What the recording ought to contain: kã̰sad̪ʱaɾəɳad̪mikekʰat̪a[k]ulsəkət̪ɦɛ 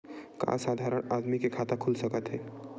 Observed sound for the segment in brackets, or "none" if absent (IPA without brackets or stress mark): kʰ